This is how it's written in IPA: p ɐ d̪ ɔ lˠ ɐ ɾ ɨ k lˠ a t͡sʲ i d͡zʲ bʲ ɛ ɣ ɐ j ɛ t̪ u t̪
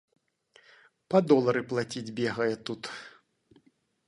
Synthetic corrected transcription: p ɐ d̪ ɔ lˠ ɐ ɾ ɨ p lˠ a t͡sʲ i d͡zʲ bʲ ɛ ɣ ɐ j ɛ t̪ u t̪